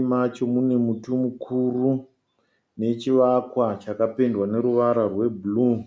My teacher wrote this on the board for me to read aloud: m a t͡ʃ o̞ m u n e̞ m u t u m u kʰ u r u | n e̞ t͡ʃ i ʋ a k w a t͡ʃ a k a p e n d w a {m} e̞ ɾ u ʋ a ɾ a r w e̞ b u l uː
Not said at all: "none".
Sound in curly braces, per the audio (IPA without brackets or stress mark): n